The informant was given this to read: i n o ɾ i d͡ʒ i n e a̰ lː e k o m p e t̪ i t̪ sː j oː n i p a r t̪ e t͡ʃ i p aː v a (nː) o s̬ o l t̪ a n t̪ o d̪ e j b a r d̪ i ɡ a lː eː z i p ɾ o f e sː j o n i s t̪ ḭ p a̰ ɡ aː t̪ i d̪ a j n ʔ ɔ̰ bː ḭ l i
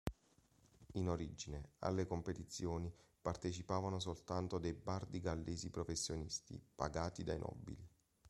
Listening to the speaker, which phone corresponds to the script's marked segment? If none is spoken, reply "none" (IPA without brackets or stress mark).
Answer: n